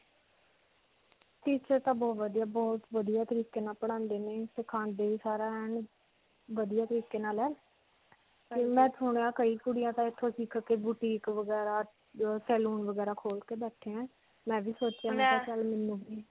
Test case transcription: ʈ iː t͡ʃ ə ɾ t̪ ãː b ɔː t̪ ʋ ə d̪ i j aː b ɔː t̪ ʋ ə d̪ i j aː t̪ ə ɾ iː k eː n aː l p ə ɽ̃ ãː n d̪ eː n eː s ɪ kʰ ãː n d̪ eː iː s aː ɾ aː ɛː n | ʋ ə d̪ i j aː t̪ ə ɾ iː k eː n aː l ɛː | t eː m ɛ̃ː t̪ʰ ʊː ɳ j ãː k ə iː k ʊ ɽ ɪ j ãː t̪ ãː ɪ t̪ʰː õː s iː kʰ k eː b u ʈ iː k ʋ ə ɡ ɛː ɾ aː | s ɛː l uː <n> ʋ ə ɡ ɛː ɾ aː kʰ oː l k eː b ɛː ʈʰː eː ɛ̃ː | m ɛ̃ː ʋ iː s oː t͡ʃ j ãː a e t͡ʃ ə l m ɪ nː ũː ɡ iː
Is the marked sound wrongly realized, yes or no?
no